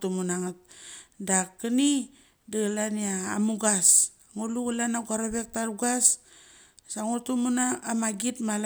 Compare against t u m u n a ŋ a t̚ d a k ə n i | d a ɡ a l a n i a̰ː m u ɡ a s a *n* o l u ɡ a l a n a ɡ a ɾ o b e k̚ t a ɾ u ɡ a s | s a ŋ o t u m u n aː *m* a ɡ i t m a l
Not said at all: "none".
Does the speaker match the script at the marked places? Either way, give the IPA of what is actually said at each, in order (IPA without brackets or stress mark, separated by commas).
ŋ, m